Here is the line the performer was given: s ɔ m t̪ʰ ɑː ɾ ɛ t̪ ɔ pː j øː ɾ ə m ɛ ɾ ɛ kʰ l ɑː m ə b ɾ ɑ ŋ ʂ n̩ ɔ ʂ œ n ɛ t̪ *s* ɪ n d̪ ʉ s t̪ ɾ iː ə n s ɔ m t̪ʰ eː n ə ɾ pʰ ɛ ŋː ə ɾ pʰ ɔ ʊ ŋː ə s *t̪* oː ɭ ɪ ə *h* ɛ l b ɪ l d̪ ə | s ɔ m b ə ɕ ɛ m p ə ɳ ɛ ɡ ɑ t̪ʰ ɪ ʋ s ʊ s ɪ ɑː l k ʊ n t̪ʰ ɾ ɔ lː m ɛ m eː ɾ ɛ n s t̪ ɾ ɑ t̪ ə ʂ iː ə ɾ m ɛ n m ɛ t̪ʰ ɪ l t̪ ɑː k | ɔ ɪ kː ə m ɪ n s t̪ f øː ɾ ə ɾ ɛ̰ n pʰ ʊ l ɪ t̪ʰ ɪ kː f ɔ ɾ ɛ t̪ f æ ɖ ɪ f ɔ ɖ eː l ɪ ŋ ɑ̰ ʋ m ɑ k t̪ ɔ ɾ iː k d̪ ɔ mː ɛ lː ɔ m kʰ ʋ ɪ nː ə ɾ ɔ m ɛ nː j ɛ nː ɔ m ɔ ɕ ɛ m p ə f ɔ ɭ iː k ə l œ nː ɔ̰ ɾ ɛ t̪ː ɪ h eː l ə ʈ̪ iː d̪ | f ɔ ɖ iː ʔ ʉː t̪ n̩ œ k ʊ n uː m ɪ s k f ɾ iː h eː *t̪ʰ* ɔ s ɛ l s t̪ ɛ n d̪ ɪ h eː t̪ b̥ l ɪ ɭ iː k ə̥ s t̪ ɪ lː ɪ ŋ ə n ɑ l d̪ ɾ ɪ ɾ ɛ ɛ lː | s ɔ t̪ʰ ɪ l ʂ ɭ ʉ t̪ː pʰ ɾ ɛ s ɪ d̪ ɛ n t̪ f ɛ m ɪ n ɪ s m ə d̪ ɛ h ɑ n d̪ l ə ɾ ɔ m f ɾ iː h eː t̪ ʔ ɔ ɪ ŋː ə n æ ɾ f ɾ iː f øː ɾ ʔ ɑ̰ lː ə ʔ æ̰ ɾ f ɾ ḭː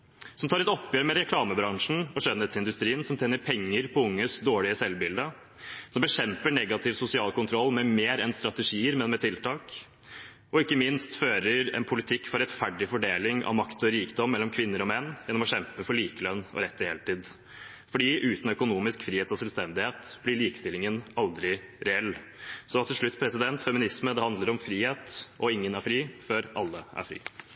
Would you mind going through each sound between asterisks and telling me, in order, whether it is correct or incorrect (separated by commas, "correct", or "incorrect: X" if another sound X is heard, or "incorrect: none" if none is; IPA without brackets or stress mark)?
correct, incorrect: d̪, incorrect: s, incorrect: t̪